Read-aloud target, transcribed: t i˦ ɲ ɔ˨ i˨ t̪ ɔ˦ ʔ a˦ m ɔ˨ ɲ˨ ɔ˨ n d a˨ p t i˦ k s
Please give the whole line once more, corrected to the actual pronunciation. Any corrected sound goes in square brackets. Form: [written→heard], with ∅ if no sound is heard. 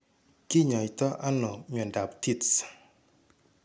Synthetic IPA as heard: [t→k] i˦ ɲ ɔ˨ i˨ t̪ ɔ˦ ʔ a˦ [m→n] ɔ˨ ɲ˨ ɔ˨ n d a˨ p t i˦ [k→t] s